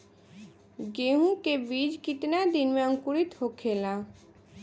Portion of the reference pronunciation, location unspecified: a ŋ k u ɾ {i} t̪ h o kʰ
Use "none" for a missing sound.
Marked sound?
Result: i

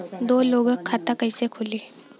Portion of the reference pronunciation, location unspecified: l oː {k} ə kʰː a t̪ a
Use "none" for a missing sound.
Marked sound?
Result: ɡ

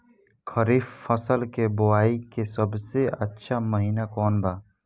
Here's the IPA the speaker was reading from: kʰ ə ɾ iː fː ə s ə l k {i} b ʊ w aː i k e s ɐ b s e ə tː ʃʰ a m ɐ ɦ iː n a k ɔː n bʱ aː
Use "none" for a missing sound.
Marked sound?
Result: e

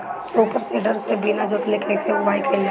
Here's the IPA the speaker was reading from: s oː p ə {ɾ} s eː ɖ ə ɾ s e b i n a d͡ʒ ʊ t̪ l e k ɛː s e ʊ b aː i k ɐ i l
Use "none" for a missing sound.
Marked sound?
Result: ɾ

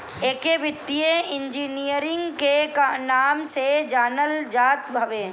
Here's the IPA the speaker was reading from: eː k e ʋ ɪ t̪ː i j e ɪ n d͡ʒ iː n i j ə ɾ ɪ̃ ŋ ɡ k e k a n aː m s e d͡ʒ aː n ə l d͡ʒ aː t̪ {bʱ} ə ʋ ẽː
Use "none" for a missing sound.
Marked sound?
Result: bʱ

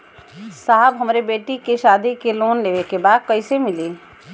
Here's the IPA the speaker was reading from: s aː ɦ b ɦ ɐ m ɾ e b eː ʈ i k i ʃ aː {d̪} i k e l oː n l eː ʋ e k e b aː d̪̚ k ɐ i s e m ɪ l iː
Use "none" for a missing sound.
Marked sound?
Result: d̪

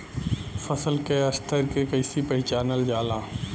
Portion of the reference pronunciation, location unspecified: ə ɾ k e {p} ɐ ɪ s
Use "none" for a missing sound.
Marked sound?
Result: k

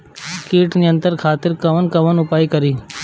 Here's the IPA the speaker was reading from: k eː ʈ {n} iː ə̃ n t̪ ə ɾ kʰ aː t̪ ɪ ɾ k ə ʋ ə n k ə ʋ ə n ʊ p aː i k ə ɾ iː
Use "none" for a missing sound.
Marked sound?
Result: n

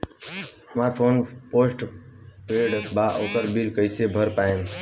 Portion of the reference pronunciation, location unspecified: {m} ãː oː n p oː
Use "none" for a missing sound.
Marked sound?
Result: m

